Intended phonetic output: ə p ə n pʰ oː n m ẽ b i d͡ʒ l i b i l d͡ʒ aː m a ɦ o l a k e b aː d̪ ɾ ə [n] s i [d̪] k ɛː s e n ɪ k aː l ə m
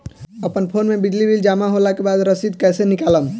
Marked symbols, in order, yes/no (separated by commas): no, yes